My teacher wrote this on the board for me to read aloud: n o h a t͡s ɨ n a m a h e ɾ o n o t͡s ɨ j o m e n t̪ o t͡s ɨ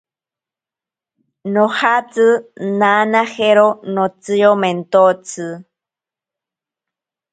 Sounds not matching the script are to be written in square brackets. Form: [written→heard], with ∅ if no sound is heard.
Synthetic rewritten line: n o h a t͡s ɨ n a [m→n] a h e ɾ o n o t͡s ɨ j o m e n t̪ o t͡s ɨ